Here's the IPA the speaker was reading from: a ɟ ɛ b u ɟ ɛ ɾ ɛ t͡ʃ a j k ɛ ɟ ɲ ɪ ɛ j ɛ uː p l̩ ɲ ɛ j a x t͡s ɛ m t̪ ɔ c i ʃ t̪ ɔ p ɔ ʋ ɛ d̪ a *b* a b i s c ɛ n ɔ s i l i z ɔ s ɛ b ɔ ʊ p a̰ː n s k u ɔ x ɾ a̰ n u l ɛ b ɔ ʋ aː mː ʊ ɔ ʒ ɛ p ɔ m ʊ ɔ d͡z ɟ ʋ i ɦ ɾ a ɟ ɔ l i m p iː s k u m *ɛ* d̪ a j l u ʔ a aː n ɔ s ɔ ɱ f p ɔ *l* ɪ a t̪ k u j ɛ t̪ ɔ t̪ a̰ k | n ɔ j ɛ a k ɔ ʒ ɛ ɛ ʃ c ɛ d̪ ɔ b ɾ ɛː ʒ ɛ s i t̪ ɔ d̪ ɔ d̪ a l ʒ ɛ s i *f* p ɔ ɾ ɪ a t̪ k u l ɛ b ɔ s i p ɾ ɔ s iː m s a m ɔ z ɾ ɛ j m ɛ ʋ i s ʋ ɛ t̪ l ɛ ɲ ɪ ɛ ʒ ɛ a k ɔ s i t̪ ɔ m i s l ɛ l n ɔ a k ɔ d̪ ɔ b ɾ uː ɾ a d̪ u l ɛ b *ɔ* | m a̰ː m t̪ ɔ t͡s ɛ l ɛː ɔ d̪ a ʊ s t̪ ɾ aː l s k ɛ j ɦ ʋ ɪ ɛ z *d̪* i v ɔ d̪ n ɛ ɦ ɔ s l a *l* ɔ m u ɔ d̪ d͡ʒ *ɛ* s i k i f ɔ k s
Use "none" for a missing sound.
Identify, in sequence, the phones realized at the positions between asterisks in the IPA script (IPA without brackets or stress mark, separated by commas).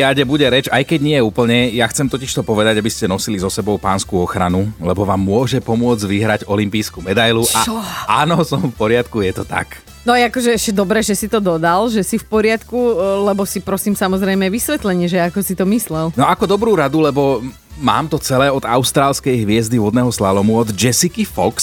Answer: ɟ, ɛ, ɾ, f, ɔ, d̪, l, ɛ